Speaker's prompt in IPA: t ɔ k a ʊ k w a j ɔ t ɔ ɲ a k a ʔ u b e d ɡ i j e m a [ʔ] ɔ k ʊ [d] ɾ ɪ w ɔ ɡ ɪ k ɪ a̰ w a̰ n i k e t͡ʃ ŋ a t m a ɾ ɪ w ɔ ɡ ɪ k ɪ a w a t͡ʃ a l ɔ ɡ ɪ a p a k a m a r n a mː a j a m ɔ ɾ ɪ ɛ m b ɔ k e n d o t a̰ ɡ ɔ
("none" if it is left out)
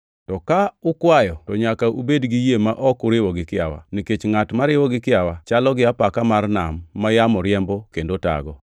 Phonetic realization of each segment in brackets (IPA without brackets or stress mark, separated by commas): ʔ, none